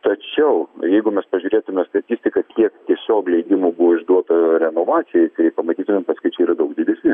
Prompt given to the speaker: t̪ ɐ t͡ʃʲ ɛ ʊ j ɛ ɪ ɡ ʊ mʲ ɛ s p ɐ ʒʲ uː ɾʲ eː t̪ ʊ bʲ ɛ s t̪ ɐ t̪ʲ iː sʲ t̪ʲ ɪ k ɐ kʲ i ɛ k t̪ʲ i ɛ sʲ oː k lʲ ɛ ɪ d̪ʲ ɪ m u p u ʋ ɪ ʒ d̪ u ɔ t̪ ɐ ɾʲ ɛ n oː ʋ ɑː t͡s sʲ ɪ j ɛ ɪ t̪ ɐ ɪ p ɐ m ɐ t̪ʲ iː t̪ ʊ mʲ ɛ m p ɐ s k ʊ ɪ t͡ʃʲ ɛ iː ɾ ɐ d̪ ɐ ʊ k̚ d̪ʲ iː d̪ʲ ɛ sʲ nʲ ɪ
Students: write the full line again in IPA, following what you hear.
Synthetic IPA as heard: t̪ ɐ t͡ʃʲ ɛ ʊ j ɛ ɪ ɡ ʊ mʲ ɛ s p ɐ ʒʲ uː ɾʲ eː t̪ ʊ mʲ ɛ s t̪ ɐ t̪ʲ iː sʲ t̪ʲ ɪ k ɐ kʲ i ɛ k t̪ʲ i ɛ sʲ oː k lʲ ɛ ɪ d̪ʲ ɪ m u b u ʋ ɪ ʒ d̪ u ɔ t̪ ɐ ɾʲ ɛ n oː ʋ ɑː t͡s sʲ ɪ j ɛ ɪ t̪ ɐ ɪ p ɐ m ɐ t̪ʲ iː t̪ ʊ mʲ ɛ m p ɐ s k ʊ ɪ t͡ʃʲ ɛ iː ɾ ɐ d̪ ɐ ʊ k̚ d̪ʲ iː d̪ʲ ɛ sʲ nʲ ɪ